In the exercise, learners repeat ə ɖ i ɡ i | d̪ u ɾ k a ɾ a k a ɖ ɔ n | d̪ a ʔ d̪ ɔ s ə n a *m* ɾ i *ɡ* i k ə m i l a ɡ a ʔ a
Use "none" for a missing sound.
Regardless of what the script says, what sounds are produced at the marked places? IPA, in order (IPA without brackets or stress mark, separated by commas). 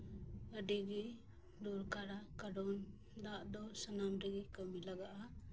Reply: m, ɡ